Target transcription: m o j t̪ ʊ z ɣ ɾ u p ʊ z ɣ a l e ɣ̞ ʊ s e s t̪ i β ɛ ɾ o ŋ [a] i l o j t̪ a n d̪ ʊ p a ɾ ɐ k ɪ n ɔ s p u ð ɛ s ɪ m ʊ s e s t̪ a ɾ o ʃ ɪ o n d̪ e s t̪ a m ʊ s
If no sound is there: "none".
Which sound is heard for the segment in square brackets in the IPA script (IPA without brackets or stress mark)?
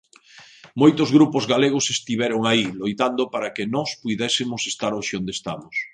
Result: a